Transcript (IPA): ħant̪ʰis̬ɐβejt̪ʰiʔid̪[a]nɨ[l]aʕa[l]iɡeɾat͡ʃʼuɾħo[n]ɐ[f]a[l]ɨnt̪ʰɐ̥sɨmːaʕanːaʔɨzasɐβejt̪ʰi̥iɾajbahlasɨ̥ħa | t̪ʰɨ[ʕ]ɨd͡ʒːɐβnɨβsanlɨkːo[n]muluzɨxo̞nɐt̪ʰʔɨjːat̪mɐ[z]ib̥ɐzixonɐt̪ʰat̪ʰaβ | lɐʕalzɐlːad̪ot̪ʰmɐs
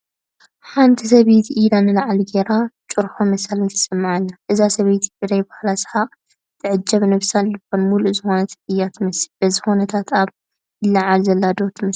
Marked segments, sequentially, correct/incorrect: correct, correct, correct, incorrect: m, incorrect: s, correct, correct, correct, incorrect: s

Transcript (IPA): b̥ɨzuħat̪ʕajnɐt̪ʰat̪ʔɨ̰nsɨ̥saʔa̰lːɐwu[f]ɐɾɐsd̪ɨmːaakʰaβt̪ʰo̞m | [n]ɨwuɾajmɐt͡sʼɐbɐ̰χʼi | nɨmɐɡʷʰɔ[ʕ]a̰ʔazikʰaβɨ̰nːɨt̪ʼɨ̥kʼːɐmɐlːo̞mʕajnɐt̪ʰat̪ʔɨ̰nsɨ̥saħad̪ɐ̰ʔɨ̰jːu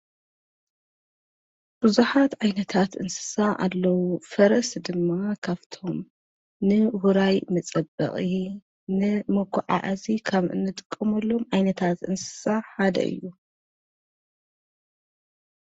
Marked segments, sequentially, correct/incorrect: correct, correct, correct

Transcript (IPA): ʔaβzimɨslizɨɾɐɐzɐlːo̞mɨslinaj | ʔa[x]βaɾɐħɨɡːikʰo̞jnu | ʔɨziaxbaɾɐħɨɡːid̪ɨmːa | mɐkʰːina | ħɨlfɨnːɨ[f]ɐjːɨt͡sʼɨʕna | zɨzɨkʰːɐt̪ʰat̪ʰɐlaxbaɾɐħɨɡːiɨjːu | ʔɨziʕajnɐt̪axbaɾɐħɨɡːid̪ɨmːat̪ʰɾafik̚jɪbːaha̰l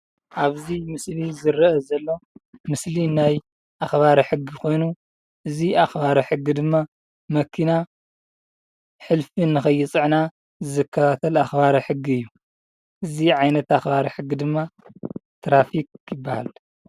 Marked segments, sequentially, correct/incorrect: correct, incorrect: x

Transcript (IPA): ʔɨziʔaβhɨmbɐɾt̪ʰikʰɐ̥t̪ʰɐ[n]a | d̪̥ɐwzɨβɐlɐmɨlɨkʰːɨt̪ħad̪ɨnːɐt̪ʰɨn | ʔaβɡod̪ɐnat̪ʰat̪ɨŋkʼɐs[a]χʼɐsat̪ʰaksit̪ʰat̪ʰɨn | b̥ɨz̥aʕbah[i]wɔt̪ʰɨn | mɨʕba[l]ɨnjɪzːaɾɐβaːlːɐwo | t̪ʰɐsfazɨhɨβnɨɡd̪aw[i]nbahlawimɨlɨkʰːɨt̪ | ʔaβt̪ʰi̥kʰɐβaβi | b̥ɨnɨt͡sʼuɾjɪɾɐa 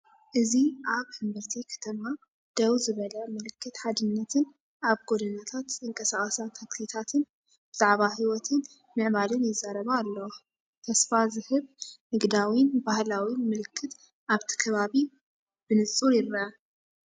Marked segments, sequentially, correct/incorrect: incorrect: m, correct, correct, correct, correct

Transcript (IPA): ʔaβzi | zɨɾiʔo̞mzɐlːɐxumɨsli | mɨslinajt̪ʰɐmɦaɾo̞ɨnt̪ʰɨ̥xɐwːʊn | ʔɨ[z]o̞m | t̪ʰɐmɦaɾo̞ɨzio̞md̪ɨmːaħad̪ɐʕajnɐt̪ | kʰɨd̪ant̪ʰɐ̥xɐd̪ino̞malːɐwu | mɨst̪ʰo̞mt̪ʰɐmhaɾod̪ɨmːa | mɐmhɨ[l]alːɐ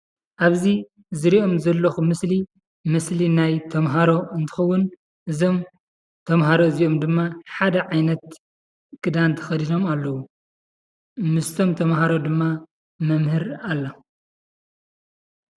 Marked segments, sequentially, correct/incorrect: correct, incorrect: ɾ

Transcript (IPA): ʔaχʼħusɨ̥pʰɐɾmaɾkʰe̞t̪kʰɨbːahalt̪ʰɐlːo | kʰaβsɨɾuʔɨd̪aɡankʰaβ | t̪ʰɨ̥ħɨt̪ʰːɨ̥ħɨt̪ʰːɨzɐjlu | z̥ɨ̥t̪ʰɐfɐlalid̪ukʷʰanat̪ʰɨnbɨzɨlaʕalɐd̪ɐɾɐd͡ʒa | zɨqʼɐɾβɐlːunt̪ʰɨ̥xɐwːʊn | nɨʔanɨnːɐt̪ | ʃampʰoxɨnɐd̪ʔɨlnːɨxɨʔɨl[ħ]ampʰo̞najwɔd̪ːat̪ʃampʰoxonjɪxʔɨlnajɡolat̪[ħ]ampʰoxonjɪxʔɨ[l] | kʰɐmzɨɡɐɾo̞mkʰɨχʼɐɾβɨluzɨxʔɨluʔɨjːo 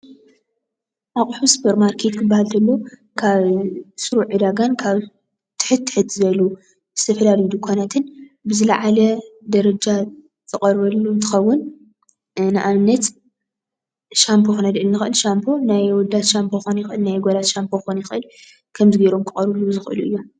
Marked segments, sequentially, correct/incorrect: incorrect: ʃ, incorrect: ʃ, correct

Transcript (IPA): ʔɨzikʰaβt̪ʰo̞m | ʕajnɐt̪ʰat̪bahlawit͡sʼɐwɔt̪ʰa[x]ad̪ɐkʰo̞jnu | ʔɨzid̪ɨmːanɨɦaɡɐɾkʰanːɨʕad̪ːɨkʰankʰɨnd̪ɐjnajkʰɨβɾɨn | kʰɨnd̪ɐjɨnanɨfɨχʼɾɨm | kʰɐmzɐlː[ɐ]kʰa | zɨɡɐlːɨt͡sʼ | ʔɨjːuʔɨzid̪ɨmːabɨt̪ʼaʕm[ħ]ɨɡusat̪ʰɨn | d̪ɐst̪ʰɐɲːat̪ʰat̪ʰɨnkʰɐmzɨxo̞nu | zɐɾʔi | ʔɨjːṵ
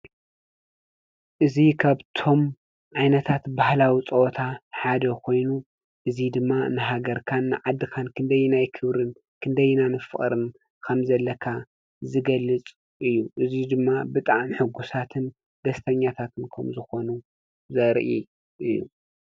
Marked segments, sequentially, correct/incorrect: incorrect: ħ, correct, correct

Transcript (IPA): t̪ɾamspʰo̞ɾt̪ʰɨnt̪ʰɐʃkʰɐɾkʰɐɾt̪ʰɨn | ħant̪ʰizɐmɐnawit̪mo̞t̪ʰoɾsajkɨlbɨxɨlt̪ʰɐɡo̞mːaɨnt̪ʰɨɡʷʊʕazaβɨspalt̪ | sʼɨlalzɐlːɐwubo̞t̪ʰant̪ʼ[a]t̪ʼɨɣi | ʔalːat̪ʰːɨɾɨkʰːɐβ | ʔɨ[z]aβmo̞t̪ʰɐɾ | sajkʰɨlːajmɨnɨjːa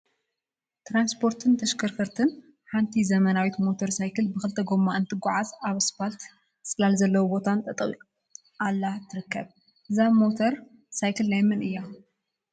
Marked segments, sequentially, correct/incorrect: incorrect: ɐ, correct

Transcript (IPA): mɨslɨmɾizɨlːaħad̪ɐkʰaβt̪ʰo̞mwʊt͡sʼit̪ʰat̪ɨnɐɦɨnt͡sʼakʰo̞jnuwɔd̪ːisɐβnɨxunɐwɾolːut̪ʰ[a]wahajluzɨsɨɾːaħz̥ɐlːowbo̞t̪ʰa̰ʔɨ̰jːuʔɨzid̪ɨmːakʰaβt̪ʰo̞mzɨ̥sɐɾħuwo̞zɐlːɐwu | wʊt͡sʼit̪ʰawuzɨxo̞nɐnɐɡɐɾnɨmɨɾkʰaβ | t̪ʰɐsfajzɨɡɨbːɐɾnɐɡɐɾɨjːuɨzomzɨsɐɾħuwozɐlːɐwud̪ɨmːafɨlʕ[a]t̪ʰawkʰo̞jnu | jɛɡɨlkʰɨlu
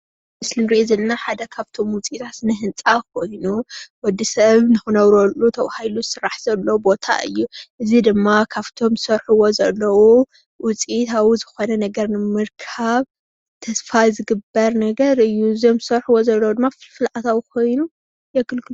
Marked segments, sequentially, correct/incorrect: incorrect: ɐ, correct

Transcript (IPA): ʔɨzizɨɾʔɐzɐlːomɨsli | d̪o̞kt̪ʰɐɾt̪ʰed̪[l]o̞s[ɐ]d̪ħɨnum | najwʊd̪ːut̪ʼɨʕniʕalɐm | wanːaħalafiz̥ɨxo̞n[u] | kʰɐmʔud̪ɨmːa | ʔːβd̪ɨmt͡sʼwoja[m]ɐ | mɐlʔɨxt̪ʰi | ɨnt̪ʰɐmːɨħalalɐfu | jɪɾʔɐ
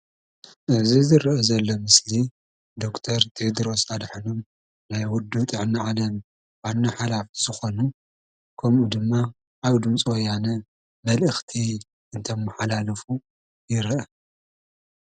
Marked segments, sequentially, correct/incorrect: incorrect: ɾ, incorrect: a, correct, incorrect: n

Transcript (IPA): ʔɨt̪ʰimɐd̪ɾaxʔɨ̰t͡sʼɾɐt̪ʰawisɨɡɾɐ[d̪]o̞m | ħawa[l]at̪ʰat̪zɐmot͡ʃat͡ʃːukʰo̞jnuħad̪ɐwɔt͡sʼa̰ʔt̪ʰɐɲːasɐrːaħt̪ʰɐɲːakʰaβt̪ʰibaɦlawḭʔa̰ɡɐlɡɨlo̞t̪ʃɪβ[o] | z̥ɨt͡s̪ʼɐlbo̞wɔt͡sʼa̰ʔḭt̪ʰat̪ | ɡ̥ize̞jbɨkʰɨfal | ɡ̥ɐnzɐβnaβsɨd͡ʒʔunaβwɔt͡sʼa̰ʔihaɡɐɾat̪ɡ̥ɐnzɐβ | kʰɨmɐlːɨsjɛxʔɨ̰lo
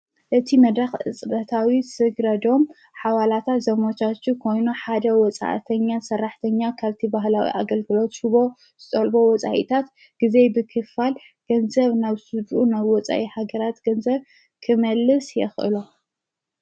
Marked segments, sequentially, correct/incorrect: correct, correct, correct

